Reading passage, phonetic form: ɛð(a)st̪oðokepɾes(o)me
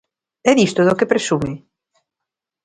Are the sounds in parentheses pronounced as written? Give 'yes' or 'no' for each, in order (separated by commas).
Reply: no, no